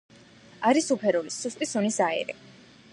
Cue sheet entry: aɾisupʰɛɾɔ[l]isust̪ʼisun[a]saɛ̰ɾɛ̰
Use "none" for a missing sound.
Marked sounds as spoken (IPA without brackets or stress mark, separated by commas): l, i